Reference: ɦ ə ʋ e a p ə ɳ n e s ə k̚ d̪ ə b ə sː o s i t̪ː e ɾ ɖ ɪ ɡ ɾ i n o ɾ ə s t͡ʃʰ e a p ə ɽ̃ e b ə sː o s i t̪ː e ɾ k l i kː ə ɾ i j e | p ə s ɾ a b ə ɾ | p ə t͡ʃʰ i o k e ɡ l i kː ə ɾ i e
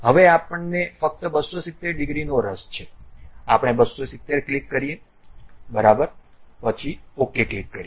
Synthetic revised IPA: ɦ ə ʋ e a p ə ɳ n e f ə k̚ t̪ ə b ə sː o s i t̪ː e ɾ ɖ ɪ ɡ ɾ i n o ɾ ə s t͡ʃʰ e a p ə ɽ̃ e b ə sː o s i t̪ː e ɾ k l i kː ə ɾ i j e | b ə ɾ a b ə ɾ | p ə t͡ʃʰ i o k e k l i kː ə ɾ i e